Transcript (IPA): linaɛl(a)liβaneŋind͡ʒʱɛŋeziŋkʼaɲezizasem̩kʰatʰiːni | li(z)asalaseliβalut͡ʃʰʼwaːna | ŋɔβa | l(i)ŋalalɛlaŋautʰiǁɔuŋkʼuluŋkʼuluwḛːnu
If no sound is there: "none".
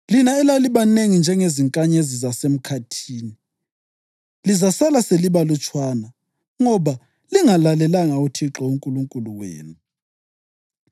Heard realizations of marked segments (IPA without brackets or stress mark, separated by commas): a, z, i